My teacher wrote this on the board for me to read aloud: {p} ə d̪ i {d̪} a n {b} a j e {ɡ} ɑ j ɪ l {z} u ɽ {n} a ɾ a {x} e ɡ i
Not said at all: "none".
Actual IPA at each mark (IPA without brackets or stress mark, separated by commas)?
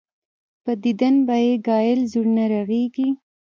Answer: p, d̪, b, ɡ, z, n, ɣ